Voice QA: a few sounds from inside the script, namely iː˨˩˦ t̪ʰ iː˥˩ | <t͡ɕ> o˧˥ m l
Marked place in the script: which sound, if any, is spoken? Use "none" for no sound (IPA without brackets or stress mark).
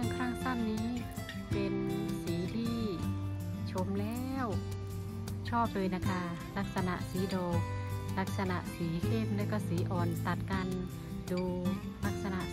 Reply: t͡ɕʰ